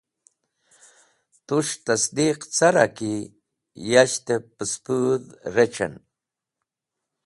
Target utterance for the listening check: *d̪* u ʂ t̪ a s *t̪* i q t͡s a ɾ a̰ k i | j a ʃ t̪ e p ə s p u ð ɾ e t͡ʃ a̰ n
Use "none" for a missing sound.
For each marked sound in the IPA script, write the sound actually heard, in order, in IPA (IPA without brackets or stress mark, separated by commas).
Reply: t̪, d̪